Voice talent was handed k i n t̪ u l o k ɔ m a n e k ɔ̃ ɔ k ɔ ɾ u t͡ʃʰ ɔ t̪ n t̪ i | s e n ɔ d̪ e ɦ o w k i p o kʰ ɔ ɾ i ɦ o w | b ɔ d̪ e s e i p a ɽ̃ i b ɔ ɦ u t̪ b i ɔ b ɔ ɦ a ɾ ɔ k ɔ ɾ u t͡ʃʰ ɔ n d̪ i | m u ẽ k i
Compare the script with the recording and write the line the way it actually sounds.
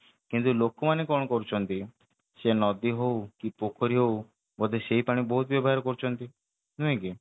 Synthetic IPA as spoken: k i n t̪ u l o k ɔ m a n e k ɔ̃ ɔ k ɔ ɾ u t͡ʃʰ ɔ n t̪ i | s e n ɔ d̪ i ɦ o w k i p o kʰ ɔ ɾ i ɦ o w | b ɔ d̪ e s e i p a ɽ̃ i b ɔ ɦ u t̪ b j ɔ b ɔ ɦ a ɾ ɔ k ɔ ɾ u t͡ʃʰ ɔ n t̪ i | n u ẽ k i